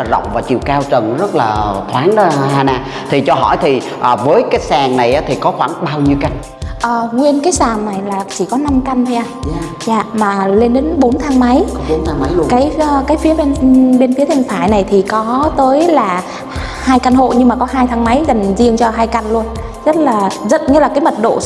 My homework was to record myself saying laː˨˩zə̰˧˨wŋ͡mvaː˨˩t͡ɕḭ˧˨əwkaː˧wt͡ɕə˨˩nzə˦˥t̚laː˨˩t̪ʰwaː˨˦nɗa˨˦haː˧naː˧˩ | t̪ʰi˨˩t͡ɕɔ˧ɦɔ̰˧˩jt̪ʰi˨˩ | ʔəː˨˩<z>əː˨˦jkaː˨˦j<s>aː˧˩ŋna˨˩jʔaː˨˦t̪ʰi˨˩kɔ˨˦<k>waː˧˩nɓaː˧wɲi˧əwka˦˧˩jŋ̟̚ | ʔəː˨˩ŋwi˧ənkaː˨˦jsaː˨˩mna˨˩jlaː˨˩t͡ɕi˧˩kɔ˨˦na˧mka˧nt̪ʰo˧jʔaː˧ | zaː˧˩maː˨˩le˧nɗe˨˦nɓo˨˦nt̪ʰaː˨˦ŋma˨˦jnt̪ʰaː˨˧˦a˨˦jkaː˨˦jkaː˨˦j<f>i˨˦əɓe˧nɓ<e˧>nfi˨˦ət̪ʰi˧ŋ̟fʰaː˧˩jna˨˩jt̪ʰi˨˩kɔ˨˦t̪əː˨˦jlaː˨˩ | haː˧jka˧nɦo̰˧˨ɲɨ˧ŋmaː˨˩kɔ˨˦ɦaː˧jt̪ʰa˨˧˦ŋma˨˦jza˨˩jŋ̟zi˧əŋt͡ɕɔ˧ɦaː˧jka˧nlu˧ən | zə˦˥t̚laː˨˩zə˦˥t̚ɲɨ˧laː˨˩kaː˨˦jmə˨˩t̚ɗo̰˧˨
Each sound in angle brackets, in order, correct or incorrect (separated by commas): incorrect, correct, incorrect, correct, correct